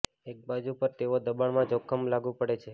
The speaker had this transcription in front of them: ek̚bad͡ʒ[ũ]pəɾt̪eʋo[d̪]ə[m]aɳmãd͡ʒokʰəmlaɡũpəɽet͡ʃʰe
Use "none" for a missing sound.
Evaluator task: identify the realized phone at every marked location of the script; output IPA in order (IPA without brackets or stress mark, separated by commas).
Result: u, d̪, b